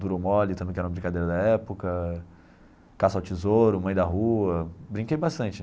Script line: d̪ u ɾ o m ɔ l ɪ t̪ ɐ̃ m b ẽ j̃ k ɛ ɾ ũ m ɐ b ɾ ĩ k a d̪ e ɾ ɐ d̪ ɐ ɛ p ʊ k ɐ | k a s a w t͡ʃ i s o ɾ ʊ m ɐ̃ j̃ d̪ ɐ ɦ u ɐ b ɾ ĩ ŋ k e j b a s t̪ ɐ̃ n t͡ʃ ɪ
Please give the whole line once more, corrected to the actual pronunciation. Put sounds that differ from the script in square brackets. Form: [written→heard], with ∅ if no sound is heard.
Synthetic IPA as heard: d̪ u ɾ o m ɔ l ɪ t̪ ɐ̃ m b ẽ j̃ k ɛ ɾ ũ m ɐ b ɾ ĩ k a d̪ e ɾ ɐ d̪ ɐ ɛ p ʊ k ɐ | k a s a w t͡ʃ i [s→z] o ɾ ʊ m ɐ̃ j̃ d̪ ɐ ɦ u ɐ b ɾ ĩ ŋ k e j b a s t̪ ɐ̃ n t͡ʃ ɪ